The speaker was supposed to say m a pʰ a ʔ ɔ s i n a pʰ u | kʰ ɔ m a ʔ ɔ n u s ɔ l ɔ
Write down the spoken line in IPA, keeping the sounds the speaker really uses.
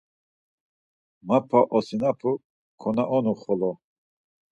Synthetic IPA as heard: m a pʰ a ʔ ɔ s i n a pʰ u | kʰ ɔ n a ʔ ɔ n u χ ɔ l ɔ